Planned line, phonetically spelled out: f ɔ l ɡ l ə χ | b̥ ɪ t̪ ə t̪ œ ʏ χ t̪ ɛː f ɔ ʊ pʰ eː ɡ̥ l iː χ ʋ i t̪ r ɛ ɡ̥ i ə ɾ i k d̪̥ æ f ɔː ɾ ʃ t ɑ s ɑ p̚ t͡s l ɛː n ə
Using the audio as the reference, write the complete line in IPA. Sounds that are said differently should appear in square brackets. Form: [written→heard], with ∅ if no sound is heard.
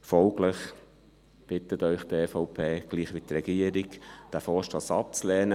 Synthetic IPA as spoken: f ɔ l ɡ l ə χ | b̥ ɪ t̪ ə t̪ œ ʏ χ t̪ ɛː f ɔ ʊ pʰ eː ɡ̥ l iː χ ʋ i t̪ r ɛ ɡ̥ i ə ɾ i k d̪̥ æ f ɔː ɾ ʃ t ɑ s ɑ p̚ t͡s l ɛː n ə